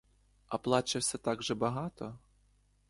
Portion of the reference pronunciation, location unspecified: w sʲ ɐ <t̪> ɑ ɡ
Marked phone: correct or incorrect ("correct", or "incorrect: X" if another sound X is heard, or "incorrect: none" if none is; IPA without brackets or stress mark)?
correct